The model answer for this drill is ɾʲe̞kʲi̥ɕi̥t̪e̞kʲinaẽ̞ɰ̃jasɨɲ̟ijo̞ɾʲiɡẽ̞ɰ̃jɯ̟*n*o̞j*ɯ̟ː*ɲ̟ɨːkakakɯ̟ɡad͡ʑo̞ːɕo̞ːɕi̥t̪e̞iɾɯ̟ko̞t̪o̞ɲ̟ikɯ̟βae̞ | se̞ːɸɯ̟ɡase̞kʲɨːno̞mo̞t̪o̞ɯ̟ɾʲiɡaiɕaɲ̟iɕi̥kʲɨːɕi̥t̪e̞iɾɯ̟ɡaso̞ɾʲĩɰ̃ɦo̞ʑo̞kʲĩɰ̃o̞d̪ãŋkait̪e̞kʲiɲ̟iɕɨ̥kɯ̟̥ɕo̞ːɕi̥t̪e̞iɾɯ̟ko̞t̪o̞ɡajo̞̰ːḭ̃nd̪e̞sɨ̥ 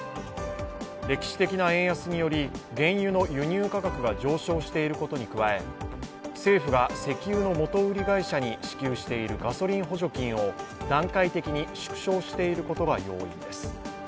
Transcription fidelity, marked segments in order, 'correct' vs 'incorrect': correct, incorrect

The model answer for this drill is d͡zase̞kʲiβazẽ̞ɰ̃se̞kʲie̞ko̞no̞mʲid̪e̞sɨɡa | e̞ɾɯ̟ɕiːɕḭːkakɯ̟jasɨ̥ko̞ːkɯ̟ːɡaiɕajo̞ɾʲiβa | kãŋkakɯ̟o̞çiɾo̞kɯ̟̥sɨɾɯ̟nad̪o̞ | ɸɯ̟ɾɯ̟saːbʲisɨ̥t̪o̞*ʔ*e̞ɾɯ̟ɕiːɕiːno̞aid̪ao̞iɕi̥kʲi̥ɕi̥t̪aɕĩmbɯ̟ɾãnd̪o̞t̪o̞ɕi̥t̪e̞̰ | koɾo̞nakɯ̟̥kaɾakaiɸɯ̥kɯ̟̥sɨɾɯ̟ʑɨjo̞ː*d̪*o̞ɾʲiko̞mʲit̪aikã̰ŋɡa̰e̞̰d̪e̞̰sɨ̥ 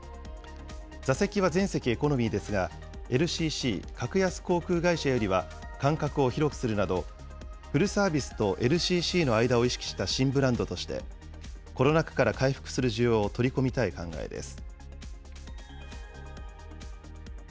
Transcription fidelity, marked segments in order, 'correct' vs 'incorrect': correct, incorrect

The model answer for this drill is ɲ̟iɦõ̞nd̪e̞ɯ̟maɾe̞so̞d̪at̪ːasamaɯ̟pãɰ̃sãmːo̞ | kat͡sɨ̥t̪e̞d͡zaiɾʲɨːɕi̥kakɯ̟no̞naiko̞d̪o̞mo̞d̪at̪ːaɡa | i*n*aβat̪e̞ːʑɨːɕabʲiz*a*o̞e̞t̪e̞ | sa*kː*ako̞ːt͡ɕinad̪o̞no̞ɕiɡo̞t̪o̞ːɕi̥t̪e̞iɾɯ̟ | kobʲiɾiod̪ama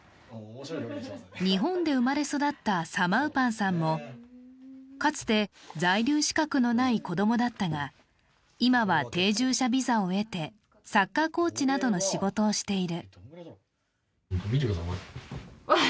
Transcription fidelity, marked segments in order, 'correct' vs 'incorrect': incorrect, correct, correct

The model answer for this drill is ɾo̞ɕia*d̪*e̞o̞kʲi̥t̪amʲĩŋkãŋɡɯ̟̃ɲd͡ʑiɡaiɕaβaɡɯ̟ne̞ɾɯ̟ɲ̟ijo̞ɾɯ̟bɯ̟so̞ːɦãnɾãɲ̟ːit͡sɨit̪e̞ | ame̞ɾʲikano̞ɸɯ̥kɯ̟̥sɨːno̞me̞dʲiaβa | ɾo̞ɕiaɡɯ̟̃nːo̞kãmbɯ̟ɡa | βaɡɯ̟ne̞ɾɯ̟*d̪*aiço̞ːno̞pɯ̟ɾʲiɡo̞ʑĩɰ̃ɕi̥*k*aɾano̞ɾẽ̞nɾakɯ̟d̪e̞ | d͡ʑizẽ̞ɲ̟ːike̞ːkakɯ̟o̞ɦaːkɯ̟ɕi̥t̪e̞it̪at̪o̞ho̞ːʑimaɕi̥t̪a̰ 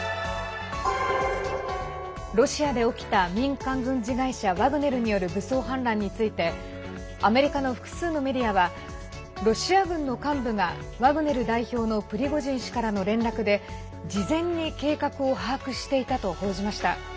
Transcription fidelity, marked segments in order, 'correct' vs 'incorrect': correct, correct, correct

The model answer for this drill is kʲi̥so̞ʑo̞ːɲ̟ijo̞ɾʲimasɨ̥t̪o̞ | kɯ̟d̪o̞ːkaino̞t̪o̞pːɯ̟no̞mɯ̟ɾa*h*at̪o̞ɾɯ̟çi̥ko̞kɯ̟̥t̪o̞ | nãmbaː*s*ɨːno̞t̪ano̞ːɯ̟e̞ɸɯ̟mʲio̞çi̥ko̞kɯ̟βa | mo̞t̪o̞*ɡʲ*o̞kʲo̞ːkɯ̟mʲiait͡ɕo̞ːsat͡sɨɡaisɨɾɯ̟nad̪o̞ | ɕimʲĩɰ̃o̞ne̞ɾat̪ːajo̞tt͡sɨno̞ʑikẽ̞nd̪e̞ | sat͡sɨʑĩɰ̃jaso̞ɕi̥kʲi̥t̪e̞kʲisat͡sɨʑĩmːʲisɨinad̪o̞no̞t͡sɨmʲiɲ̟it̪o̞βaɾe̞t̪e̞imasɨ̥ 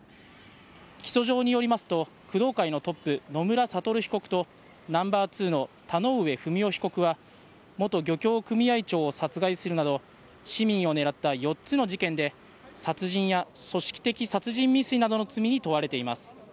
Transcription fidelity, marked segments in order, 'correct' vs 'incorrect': incorrect, incorrect, correct

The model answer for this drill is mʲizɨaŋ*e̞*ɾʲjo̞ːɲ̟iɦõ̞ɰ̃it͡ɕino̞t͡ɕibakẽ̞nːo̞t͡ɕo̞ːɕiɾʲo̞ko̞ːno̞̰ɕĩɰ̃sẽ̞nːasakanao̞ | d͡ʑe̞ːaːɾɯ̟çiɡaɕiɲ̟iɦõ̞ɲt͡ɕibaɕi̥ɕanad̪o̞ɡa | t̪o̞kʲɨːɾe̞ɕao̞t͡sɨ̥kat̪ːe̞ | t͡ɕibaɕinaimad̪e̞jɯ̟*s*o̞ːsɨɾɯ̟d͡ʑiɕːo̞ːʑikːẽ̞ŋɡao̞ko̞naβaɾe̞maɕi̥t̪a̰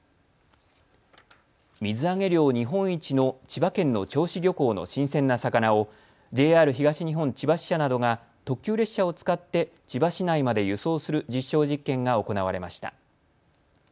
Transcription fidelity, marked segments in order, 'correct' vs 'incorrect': correct, correct

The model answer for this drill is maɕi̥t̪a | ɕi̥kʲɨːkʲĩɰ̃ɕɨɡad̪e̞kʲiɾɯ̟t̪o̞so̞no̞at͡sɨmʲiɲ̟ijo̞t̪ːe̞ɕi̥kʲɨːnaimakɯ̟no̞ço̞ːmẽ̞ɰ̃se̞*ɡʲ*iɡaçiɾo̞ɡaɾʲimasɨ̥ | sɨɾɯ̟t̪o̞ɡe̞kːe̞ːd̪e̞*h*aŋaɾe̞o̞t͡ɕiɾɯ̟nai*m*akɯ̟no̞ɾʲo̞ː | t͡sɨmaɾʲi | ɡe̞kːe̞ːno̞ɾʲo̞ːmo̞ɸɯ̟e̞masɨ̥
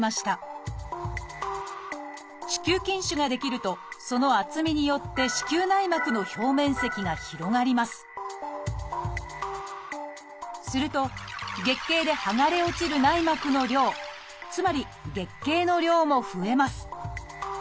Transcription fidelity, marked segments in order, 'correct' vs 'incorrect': incorrect, correct, correct

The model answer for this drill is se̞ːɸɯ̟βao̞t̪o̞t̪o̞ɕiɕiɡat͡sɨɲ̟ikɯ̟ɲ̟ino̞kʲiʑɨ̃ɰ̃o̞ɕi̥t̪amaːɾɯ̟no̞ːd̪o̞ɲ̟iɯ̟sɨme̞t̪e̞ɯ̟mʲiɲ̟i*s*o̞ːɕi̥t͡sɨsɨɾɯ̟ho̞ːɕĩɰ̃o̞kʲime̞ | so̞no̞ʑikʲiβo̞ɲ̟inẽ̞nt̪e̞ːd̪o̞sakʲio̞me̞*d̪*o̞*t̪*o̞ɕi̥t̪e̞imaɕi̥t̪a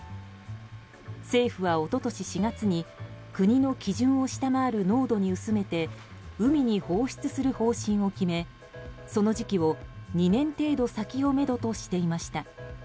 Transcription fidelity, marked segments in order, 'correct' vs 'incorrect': incorrect, correct, correct

